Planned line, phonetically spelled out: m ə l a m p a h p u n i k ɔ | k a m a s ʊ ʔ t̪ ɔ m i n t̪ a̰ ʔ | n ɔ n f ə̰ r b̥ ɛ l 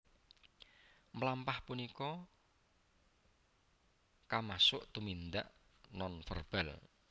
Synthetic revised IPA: m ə l a m p a h p u n i k ɔ | k a m a s ʊ ʔ t̪ u m i n d̪ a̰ ʔ | n ɔ n f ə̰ r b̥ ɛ l